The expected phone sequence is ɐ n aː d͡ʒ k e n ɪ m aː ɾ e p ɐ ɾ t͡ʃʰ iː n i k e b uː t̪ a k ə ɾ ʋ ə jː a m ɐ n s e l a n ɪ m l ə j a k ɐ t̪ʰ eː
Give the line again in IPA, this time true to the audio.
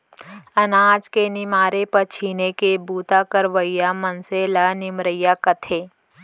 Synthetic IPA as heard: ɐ n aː d͡ʒ k e n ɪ m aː ɾ e p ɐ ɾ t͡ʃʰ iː n e k e b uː t̪ a k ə ɾ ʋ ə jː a m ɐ n s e l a n ɪ m ɾ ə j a k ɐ t̪ʰ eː